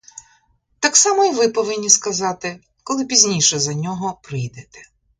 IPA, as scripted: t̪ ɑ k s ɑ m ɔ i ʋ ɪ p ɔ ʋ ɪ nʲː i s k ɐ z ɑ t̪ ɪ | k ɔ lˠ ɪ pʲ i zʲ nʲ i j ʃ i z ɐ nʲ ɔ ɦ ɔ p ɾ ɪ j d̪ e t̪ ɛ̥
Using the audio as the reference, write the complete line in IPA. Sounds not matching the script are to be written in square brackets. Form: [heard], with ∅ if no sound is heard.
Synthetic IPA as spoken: t̪ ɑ k s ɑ m ɔ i ʋ ɪ p ɔ ʋ ɪ nʲː i s k ɐ z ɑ t̪ ɪ | k ɔ lˠ ɪ pʲ i zʲ nʲ i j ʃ [ɛ] z ɐ nʲ ɔ ɦ ɔ p ɾ ɪ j d̪ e t̪ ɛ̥

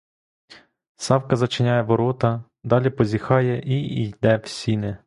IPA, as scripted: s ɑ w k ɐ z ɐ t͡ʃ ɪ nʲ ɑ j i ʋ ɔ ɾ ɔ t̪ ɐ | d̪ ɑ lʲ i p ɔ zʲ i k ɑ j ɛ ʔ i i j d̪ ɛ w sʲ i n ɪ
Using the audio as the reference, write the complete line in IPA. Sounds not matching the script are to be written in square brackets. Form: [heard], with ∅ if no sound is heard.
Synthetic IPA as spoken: s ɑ w k ɐ z ɐ t͡ʃ ɪ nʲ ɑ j [ɛ] ʋ ɔ ɾ ɔ t̪ ɐ | d̪ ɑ lʲ i p ɔ zʲ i [x] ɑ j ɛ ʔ i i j d̪ ɛ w sʲ i n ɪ

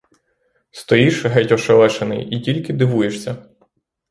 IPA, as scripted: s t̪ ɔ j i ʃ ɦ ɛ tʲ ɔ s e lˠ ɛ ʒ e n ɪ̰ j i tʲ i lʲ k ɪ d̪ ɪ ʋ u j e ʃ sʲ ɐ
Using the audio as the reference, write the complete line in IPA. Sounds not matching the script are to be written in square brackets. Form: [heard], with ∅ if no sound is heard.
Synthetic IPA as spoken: s t̪ ɔ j i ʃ ɦ ɛ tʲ ɔ [ʃ] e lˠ ɛ [ʃ] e n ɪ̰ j i tʲ i lʲ k ɪ d̪ ɪ ʋ u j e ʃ sʲ ɐ

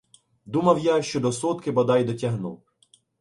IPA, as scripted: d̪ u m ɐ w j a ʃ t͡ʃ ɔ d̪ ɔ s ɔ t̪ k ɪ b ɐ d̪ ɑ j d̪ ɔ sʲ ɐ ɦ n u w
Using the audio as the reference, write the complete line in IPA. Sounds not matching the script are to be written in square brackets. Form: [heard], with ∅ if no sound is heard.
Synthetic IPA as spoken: d̪ u m ɐ w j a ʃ t͡ʃ ɔ d̪ ɔ s ɔ t̪ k ɪ b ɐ d̪ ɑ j d̪ ɔ [tʲ] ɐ ɦ n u w

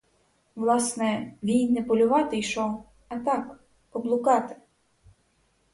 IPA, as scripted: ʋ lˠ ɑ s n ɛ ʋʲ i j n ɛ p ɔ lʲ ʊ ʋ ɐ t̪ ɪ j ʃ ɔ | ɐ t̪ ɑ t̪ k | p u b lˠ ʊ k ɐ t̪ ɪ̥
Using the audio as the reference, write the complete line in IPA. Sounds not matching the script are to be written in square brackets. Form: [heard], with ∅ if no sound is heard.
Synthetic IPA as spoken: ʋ lˠ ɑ s n ɛ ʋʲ i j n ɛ p ɔ lʲ ʊ ʋ [ɑ] t̪ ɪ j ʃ ɔ | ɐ t̪ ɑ [∅] k | p [ɔ] b lˠ ʊ k [ɑ] t̪ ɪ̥

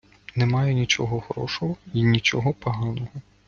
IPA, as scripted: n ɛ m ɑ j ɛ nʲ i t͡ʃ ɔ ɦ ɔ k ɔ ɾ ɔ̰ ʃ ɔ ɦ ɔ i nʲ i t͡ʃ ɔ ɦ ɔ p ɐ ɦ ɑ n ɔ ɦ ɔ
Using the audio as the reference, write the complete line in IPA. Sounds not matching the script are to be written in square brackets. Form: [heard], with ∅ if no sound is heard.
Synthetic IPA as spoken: n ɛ m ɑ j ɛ nʲ i t͡ʃ ɔ ɦ ɔ [x] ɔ ɾ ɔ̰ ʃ ɔ ɦ ɔ i nʲ i t͡ʃ ɔ ɦ ɔ p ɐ ɦ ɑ n ɔ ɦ ɔ

